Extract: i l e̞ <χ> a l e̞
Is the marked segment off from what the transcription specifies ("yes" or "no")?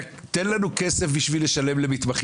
yes